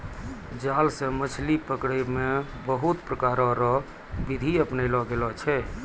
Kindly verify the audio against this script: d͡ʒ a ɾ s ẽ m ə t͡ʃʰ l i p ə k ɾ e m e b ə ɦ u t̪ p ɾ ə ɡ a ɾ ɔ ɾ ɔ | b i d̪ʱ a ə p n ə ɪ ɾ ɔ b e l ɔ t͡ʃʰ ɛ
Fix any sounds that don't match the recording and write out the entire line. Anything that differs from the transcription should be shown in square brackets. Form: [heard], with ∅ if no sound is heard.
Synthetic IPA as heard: d͡ʒ a [l] s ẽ m ə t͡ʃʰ l i p ə k [ɽ] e m e b ə ɦ u t̪ p ɾ ə [k] a ɾ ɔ ɾ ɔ | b i d̪ʱ [i] ə p n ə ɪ [l] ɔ [ɡ] e l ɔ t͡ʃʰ ɛ